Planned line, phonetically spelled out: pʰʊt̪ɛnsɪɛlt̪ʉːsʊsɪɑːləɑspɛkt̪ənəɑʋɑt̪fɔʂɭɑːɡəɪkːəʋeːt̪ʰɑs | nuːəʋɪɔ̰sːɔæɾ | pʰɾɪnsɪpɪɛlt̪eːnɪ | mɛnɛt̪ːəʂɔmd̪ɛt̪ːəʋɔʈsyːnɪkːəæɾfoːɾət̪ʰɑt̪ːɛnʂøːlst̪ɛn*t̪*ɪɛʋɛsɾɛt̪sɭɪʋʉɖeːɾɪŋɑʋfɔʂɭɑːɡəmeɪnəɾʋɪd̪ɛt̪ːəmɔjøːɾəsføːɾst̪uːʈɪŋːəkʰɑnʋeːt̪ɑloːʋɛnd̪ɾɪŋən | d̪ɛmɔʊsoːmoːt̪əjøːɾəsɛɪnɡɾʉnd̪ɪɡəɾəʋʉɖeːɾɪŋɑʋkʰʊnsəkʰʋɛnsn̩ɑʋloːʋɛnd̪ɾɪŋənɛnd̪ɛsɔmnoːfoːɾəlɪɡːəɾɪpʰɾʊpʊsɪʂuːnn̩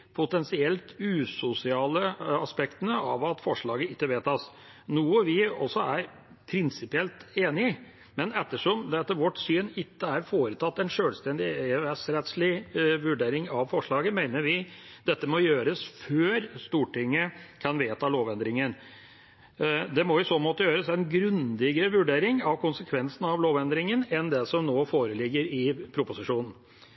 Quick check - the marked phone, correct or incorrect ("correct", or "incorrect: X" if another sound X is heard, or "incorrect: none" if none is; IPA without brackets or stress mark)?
incorrect: d̪